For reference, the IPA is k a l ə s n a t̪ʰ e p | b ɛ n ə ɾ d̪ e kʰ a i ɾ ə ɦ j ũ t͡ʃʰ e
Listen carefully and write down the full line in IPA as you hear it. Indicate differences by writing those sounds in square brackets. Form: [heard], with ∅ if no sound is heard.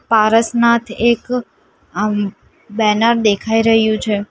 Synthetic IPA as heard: [p] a [ɾ] ə s n a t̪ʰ e [k] | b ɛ n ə ɾ d̪ e kʰ a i ɾ ə ɦ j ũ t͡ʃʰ e